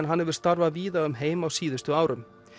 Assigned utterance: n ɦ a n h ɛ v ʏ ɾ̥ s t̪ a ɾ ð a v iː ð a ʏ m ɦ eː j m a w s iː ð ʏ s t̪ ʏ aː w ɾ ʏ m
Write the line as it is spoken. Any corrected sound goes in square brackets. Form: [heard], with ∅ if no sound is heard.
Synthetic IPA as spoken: n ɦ a n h ɛ v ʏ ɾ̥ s t̪ a ɾ [v] a v iː ð a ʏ m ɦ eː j m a w s iː ð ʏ s t̪ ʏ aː w ɾ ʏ m